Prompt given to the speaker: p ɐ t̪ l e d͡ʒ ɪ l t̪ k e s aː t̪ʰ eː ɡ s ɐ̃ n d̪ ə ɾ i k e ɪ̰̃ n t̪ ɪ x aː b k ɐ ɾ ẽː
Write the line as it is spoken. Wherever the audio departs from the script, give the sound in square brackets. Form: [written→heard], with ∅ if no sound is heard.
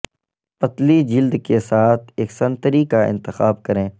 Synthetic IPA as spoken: p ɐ t̪ l [e→i] d͡ʒ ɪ l [t̪→d̪] k e s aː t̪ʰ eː [ɡ→k] s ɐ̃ n [d̪→t̪] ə ɾ i k [e→a] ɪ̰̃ n t̪ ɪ x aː b k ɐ ɾ ẽː